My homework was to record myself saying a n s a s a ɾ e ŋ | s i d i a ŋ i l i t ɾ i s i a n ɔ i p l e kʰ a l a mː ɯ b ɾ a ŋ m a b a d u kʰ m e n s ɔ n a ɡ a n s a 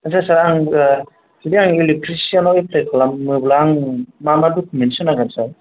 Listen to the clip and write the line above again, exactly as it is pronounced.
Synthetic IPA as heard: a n s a s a ɾ a ŋ | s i d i a ŋ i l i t ɾ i s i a n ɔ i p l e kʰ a l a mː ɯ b l a ŋ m a m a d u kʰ m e n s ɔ n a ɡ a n s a